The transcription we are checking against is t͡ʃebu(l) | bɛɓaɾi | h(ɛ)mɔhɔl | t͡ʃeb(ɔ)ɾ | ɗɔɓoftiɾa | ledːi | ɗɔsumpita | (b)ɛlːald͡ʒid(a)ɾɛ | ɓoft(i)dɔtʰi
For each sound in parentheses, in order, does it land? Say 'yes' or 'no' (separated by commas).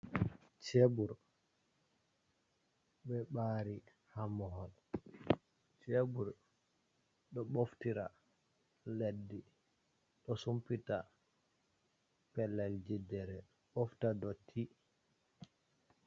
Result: no, no, no, no, no, no